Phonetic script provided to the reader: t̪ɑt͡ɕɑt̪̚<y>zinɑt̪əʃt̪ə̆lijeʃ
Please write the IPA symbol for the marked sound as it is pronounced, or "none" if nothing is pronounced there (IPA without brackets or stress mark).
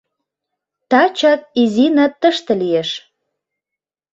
i